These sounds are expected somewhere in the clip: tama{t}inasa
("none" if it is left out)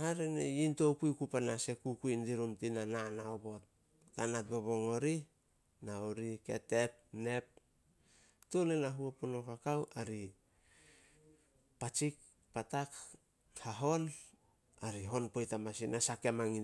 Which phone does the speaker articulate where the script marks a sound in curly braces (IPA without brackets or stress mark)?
s